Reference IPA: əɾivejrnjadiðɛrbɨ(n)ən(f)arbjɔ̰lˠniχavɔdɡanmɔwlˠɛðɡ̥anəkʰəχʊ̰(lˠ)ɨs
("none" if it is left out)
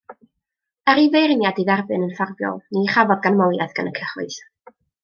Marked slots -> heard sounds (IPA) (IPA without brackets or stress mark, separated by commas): n, f, none